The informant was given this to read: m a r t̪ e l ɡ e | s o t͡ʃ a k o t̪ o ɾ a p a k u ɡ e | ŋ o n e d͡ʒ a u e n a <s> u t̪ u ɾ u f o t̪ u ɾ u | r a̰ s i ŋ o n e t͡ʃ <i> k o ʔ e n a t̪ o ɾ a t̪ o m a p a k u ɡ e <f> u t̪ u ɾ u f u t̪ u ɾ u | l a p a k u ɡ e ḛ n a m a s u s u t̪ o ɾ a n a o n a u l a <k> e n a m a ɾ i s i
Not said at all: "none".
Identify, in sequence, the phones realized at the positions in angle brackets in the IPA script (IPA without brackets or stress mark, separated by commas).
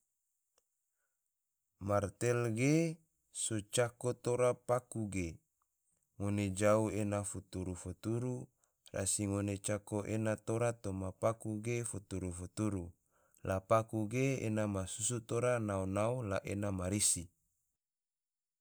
f, a, f, ʔ